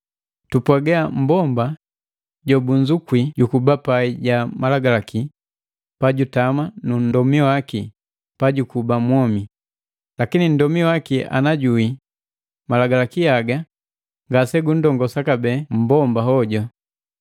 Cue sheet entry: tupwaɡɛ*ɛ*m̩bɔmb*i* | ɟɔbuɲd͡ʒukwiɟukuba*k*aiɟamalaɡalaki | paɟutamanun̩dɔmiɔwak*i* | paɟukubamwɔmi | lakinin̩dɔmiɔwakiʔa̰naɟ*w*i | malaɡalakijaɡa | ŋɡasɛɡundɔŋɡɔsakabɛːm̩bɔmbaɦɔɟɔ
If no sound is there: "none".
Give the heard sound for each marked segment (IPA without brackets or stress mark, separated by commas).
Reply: a, a, p, i, u